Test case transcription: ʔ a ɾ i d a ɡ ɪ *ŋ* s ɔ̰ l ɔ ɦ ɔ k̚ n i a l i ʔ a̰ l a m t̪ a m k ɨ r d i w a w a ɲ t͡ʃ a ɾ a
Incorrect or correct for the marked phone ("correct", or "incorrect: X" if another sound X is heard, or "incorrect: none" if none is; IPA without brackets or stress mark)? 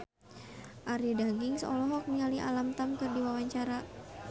correct